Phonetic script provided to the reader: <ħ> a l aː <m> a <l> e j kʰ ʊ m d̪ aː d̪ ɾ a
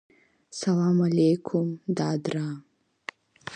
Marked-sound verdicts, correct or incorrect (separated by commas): incorrect, correct, correct